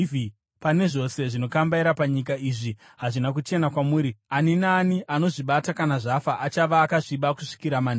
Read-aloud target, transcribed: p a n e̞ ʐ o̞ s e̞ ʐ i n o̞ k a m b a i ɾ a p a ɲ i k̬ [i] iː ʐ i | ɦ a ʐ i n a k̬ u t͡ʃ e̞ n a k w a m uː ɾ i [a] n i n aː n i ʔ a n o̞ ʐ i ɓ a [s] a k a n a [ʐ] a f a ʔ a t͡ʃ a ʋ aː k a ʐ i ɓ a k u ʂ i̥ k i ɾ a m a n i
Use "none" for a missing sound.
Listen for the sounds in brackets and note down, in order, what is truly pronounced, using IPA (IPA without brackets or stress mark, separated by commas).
a, a, t, ʐ